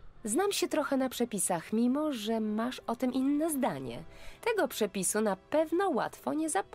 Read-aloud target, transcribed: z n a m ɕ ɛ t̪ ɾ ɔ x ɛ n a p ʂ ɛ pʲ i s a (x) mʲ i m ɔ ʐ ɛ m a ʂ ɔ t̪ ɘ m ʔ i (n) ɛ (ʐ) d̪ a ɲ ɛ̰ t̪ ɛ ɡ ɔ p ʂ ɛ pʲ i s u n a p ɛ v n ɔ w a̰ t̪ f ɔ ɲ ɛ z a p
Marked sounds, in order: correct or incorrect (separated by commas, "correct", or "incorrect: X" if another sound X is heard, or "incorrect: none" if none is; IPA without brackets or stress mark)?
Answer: correct, incorrect: nː, incorrect: z